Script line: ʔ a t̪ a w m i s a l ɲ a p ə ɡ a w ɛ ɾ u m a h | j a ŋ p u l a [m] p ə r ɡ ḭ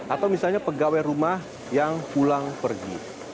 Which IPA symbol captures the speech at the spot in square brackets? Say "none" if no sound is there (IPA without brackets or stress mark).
ŋ